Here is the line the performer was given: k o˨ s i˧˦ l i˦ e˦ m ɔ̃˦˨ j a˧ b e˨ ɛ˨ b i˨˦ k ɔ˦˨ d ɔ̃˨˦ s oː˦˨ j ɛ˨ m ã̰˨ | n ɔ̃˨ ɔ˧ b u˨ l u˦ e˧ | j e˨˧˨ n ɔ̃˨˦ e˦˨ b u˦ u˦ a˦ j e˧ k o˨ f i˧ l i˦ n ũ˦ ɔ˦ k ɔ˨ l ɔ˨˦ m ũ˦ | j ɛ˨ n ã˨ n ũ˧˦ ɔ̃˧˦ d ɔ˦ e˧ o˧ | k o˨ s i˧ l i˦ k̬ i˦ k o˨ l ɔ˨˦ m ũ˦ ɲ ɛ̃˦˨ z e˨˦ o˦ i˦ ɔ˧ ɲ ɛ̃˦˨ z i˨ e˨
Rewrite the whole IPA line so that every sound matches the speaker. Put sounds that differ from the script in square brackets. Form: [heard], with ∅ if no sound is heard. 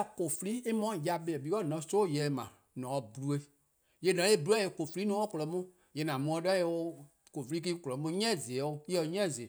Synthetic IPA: k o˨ [f] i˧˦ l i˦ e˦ m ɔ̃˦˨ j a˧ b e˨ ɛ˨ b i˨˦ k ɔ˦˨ [n] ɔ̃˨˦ s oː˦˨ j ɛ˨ m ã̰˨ | n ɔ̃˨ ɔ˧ b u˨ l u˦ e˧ | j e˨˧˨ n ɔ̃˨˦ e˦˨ b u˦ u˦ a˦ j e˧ k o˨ f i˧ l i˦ n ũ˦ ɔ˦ k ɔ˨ l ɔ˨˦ m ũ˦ | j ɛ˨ n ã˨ [m] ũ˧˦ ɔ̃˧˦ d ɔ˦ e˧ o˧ | k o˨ [f] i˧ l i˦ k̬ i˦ k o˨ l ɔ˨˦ m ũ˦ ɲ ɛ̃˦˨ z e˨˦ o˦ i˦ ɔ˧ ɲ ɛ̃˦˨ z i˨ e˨